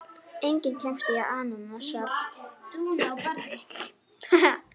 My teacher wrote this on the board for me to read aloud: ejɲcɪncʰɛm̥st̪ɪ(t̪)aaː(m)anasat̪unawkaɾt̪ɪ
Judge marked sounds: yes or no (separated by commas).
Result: no, no